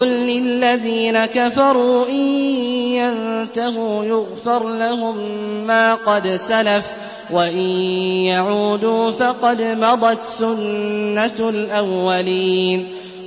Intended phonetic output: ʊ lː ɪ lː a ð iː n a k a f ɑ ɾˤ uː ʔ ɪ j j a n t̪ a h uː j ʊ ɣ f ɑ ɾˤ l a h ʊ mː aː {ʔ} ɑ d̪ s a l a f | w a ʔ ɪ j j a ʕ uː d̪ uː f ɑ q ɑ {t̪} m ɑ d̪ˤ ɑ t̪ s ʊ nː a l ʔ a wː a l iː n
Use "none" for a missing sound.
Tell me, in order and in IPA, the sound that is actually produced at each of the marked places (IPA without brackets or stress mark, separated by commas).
q, d̪